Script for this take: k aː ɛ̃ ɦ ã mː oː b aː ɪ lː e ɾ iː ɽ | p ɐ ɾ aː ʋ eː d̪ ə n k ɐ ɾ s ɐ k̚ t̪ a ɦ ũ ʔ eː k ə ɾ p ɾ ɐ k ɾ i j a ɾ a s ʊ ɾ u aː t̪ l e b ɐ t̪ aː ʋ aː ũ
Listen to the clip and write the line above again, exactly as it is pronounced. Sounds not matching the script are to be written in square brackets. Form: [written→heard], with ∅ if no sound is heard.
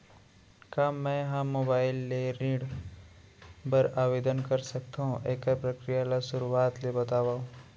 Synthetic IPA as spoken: k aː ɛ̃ ɦ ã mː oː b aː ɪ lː e ɾ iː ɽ | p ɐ ɾ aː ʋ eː d̪ ə n k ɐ ɾ s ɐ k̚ t̪ a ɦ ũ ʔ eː k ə ɾ p ɾ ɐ k ɾ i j a [ɾ→l] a s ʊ ɾ u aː t̪ l e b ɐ t̪ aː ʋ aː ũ